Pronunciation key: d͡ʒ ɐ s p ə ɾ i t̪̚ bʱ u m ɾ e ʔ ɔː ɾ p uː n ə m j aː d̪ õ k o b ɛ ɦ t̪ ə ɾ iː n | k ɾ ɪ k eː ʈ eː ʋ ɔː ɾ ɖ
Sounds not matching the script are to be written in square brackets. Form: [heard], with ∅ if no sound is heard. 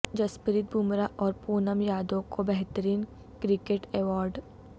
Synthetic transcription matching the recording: d͡ʒ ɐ s p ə ɾ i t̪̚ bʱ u m ɾ [a] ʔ ɔː ɾ p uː n ə m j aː d̪ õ k o b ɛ ɦ t̪ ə ɾ iː n | k ɾ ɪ k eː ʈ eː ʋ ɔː ɾ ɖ